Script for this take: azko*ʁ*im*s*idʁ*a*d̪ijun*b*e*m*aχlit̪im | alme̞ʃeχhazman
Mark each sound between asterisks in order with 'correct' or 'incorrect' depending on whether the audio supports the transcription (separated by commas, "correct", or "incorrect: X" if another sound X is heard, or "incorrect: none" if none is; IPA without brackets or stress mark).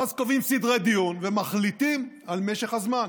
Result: incorrect: v, correct, incorrect: e, incorrect: v, correct